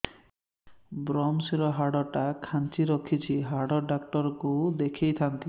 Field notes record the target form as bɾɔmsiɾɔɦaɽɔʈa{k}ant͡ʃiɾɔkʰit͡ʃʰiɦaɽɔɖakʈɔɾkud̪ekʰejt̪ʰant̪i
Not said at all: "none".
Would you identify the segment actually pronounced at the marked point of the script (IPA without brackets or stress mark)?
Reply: kʰ